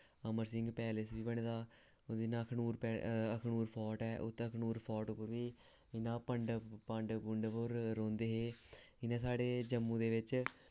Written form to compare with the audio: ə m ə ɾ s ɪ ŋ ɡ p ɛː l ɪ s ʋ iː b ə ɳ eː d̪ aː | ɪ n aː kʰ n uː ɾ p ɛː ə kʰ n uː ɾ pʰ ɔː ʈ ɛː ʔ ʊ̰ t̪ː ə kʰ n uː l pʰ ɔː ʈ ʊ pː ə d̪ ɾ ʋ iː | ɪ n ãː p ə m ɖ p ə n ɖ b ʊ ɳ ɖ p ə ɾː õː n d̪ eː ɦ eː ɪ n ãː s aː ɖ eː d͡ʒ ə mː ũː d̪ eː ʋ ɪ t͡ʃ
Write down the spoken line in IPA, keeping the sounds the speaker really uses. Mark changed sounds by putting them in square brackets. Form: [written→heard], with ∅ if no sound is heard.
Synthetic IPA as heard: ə m ə ɾ s ɪ ŋ ɡ p ɛː l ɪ s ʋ iː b ə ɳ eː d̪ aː | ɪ n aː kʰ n uː ɾ p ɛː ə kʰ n uː ɾ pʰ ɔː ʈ ɛː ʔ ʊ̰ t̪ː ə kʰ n uː [l→ɾ] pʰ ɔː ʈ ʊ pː ə [d̪→∅] ɾ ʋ iː | ɪ n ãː p ə [m→ɳ] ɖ p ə [n→ɳ] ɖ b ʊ ɳ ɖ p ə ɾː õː n d̪ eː ɦ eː ɪ n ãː s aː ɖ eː d͡ʒ ə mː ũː d̪ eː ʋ ɪ t͡ʃ